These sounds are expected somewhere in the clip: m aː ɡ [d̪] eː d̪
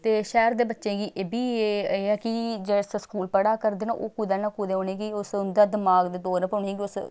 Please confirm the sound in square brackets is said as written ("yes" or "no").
yes